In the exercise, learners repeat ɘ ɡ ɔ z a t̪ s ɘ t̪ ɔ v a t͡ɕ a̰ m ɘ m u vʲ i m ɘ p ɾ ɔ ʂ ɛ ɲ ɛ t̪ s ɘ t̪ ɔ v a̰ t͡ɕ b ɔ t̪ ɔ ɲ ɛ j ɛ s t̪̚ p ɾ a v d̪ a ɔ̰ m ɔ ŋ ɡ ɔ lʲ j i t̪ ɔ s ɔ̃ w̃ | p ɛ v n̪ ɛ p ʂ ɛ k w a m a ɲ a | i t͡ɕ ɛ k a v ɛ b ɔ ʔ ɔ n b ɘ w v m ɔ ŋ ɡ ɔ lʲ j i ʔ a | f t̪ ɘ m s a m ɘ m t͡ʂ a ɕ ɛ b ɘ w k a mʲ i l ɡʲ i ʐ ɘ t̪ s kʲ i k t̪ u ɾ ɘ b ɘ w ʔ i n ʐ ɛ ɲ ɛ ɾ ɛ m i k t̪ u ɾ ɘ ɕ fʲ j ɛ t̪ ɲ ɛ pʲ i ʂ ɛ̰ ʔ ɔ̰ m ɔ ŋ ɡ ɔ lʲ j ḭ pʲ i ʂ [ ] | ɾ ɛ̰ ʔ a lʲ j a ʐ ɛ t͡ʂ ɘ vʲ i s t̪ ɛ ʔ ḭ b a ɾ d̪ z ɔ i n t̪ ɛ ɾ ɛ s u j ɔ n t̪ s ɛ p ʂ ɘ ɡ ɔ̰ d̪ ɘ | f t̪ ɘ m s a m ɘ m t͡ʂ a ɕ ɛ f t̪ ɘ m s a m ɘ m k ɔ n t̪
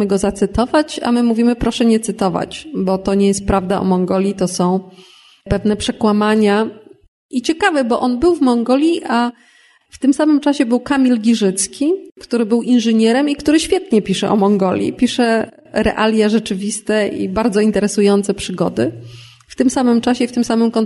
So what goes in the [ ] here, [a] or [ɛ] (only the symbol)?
ɛ